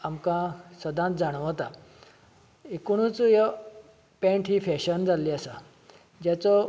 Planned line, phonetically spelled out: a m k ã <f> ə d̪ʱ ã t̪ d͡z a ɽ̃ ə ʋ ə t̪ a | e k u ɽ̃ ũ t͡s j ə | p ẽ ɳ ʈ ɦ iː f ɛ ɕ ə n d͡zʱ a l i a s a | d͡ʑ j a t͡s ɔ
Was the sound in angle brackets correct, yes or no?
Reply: no